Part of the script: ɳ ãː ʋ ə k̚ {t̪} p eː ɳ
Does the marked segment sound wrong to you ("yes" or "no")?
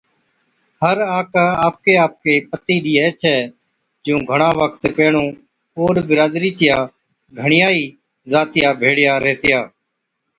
no